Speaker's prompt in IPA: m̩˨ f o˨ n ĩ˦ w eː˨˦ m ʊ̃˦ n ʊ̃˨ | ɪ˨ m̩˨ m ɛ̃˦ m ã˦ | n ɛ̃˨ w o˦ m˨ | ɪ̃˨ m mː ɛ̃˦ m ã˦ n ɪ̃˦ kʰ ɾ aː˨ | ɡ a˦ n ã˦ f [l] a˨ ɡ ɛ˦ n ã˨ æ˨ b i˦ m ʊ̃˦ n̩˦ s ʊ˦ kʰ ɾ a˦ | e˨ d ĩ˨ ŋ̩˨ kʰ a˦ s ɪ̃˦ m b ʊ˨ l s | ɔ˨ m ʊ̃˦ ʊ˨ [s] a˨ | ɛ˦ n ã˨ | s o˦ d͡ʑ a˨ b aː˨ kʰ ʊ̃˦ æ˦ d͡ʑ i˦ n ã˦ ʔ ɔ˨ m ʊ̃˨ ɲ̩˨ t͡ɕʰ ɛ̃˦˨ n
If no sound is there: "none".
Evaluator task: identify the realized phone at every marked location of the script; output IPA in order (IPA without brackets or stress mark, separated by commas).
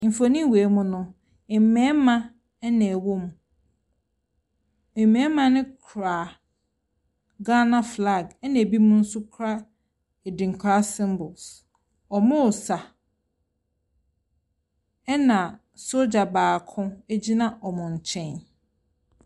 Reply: l, s